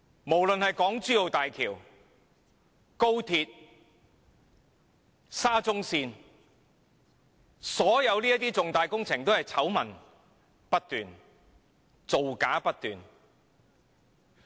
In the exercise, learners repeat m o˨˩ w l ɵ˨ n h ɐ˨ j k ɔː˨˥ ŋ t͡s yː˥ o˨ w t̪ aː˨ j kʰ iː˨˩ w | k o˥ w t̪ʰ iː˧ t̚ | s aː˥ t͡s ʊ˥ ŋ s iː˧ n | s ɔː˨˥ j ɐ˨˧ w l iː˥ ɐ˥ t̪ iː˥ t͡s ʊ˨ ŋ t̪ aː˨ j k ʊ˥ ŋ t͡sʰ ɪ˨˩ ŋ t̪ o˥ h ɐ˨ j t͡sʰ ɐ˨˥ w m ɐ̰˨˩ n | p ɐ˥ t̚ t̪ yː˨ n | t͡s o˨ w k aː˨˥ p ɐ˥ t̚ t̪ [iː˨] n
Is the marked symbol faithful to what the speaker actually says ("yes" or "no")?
no